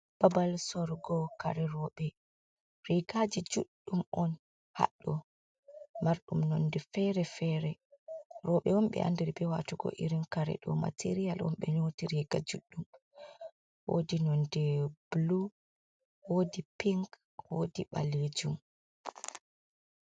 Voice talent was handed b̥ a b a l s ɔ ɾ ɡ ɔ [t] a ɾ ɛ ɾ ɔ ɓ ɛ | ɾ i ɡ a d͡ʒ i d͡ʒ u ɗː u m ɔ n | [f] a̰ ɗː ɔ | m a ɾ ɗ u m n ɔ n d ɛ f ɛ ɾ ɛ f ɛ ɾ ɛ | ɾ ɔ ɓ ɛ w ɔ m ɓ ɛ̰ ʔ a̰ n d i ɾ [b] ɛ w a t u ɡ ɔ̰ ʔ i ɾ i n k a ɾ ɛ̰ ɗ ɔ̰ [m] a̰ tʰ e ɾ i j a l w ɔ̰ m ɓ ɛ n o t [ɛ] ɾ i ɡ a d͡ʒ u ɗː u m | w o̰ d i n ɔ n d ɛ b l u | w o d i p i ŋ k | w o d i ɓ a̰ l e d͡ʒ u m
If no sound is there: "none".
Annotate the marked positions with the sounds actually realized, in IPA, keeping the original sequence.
k, h, b, m, i

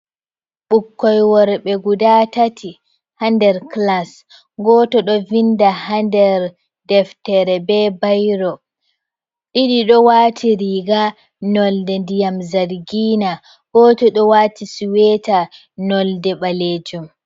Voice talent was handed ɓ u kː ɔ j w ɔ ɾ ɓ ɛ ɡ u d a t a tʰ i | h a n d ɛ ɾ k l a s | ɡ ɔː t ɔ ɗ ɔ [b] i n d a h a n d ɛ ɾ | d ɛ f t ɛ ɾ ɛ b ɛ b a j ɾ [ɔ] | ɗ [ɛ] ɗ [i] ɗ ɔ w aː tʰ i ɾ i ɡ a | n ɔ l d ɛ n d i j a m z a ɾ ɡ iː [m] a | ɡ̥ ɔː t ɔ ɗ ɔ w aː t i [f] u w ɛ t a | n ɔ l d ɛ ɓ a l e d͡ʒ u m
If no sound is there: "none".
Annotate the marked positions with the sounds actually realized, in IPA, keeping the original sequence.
v, ɔ, i, i, n, s

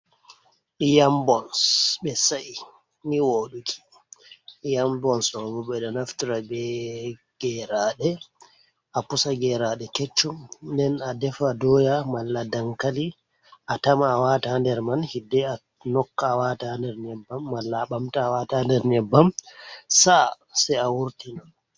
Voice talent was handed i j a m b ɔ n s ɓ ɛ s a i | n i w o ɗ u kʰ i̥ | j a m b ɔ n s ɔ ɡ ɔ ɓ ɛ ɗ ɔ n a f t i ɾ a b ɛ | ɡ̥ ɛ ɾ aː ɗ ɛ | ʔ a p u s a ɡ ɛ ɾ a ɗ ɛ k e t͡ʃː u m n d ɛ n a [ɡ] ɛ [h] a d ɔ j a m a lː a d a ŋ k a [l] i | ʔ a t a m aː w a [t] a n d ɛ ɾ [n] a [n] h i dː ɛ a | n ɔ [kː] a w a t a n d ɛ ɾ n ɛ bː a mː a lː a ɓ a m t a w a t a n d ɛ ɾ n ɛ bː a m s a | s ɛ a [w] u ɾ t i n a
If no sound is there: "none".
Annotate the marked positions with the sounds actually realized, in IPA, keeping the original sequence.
d, f, l, t, m, n, kː, w

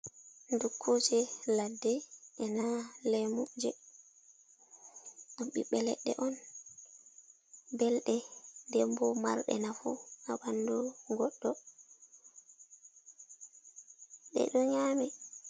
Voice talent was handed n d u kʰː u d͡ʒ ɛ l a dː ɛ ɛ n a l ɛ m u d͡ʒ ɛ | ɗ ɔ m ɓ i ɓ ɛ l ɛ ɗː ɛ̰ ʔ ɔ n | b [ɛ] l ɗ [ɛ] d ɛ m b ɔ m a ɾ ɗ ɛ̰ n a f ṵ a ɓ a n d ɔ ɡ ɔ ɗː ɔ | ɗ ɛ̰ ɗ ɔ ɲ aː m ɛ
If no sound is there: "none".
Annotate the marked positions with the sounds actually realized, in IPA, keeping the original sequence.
ɛ, ɛ

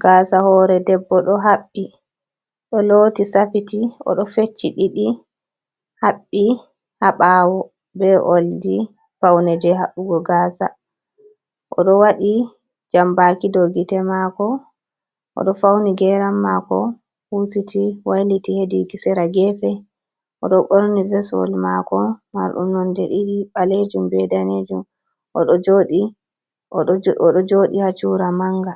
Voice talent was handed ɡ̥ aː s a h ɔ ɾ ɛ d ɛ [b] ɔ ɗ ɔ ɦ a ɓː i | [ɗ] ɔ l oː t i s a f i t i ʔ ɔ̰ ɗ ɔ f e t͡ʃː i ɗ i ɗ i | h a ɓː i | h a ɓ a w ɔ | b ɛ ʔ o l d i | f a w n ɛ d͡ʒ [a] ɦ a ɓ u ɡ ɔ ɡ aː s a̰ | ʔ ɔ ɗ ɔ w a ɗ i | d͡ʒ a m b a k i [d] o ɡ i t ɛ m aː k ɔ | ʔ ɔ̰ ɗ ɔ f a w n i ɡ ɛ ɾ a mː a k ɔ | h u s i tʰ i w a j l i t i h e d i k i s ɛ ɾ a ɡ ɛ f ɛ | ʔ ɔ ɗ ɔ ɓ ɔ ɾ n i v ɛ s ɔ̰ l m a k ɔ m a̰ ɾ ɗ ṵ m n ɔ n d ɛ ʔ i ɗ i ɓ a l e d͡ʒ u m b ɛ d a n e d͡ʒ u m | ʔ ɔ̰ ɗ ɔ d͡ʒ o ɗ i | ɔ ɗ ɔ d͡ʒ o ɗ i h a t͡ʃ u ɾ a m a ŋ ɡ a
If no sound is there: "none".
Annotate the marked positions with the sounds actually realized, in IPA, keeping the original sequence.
bː, ɗ, ɛ, d

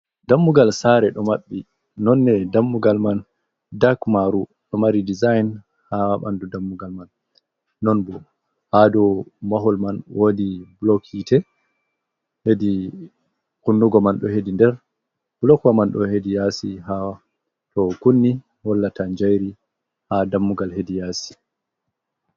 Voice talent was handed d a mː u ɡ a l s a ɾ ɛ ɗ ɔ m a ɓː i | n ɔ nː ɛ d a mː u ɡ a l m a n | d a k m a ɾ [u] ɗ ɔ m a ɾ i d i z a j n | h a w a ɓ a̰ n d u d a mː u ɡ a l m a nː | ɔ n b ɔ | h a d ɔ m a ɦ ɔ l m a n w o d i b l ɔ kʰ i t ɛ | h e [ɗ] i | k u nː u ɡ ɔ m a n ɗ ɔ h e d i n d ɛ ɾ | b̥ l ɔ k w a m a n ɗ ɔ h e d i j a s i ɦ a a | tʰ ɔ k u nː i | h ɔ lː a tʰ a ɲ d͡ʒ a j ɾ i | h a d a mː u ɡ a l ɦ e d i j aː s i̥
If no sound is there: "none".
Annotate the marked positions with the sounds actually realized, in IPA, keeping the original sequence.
u, d

